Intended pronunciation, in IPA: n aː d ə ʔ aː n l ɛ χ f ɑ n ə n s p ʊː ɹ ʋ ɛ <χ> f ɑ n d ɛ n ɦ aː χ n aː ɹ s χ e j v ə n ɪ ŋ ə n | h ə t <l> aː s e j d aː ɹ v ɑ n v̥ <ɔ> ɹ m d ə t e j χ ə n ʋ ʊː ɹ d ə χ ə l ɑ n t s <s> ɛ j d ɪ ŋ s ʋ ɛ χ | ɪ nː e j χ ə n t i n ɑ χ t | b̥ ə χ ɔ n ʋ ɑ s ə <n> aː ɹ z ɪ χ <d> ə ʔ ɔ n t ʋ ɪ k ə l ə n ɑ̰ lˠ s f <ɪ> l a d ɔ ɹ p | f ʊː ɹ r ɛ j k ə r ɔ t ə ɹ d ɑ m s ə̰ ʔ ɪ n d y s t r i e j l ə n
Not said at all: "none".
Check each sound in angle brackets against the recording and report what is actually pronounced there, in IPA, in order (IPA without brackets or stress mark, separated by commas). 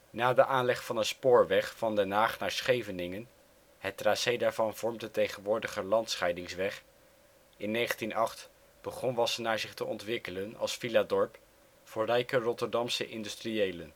χ, r, ɔ, χ, n, t, i